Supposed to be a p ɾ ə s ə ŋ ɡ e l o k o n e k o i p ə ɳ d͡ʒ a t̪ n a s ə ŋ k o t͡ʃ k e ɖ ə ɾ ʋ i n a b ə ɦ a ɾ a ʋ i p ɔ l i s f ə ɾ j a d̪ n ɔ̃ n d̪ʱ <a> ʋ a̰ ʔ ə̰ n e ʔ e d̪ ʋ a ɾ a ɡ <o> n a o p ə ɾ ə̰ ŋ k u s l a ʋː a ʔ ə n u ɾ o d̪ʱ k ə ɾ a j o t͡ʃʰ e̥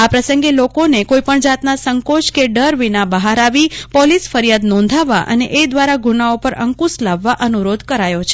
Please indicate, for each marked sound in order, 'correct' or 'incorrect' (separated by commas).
correct, incorrect